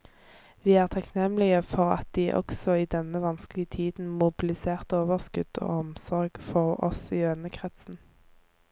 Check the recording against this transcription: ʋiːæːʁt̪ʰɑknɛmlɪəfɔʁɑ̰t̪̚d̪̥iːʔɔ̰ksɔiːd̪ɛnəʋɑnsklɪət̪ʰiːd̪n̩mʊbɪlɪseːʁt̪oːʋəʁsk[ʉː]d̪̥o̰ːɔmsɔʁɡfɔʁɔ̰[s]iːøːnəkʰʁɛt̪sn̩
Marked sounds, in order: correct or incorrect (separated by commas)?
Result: incorrect, correct